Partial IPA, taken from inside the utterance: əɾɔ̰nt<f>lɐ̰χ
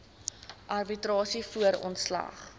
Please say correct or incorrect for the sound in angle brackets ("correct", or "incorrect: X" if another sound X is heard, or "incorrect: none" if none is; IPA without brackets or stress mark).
incorrect: s